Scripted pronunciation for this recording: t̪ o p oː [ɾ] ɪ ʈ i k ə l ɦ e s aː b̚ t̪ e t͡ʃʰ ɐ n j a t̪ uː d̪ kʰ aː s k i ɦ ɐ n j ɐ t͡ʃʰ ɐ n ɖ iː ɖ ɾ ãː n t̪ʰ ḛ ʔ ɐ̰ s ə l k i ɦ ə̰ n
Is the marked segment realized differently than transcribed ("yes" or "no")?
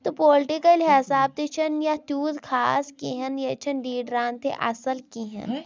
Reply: yes